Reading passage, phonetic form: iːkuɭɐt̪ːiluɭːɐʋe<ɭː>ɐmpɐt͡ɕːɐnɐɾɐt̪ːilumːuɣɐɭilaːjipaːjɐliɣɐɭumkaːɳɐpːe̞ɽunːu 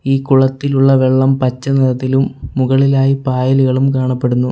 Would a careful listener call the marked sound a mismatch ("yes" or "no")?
no